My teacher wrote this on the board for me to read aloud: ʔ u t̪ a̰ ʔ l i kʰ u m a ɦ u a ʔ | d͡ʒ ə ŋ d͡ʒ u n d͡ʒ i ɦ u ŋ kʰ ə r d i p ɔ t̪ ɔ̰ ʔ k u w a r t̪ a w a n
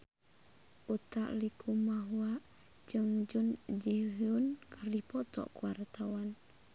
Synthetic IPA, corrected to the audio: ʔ u t̪ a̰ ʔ l i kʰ u m a ɦ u a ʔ | d͡ʒ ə ŋ d͡ʒ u n d͡ʒ i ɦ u n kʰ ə r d i p ɔ t̪ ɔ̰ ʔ k u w a r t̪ a w a n